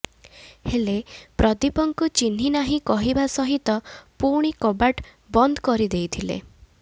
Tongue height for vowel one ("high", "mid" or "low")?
mid